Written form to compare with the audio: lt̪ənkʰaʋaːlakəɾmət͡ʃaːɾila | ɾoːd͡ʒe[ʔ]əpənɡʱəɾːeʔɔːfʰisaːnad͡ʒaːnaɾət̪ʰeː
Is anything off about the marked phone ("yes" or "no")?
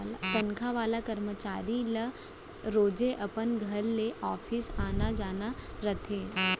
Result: no